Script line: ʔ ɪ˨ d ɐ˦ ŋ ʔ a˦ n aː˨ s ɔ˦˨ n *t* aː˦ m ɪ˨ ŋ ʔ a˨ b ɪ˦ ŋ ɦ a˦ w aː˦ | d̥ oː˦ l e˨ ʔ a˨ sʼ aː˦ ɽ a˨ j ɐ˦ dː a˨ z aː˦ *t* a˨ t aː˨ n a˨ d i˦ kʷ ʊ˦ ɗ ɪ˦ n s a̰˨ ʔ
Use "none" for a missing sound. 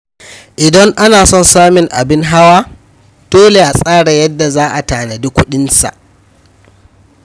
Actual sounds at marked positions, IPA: s, ʔ

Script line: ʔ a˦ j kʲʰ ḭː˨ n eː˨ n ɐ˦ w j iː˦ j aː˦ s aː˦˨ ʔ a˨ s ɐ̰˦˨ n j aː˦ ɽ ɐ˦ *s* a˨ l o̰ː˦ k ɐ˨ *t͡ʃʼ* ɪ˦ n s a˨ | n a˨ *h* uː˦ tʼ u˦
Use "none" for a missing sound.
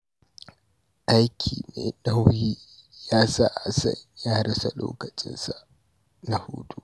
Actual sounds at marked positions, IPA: s, t͡ʃʼ, h

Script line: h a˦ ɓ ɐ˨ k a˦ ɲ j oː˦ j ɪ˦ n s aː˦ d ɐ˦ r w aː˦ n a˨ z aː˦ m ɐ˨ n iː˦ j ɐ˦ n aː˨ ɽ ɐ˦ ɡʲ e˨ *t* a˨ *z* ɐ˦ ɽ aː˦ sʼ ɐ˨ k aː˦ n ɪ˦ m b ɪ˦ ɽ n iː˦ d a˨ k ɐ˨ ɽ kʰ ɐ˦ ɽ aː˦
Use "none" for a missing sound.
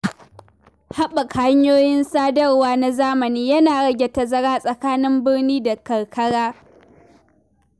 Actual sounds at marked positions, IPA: t, z

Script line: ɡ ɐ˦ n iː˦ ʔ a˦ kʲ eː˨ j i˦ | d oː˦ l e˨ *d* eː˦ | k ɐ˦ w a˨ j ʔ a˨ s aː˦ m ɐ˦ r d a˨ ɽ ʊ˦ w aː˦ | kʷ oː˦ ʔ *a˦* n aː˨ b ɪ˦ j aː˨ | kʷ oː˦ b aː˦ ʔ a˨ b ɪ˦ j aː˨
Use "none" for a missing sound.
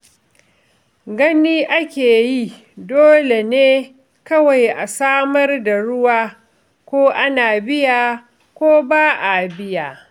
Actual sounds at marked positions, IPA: n, a˦

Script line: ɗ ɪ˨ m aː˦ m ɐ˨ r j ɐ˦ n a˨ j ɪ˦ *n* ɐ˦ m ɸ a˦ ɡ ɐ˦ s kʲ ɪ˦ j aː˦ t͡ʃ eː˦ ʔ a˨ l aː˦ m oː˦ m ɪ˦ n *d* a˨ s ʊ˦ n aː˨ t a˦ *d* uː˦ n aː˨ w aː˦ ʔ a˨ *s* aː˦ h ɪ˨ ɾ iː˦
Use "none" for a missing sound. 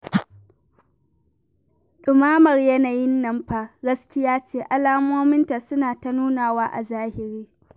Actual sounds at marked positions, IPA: nː, t, n, z

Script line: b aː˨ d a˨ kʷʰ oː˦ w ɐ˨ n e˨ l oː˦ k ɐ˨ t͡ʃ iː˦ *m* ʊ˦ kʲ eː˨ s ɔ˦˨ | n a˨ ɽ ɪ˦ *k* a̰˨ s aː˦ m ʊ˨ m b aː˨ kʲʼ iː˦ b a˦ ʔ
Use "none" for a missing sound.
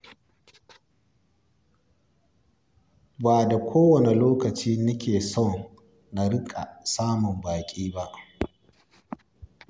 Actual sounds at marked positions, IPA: n, kʼ

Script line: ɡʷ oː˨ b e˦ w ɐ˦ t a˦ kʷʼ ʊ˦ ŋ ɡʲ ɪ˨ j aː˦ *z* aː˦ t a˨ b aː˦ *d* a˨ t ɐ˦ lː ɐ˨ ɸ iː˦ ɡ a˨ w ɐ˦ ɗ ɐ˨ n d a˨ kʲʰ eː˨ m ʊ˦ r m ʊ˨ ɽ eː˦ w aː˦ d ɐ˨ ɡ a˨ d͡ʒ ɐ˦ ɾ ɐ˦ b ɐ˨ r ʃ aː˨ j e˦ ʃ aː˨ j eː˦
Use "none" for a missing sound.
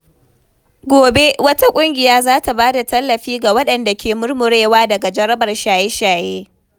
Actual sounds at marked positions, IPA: z, d

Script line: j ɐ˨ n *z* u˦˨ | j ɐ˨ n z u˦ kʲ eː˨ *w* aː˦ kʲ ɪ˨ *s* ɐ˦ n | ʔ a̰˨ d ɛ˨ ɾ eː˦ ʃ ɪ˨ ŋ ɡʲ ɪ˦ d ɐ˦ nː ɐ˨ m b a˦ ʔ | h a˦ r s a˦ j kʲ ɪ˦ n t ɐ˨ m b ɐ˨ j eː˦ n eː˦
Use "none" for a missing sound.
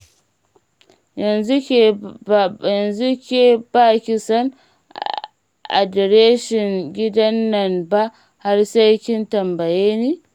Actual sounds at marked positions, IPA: z, b, s

